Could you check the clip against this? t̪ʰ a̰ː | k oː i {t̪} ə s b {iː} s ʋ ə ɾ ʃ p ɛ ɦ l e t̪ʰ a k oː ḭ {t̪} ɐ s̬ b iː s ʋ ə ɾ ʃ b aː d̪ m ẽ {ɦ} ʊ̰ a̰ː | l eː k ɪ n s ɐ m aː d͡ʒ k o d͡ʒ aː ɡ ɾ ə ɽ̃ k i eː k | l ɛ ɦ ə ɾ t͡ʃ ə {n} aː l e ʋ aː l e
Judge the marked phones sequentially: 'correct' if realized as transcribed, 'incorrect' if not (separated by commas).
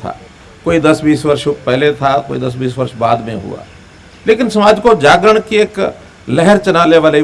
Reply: incorrect, correct, incorrect, correct, correct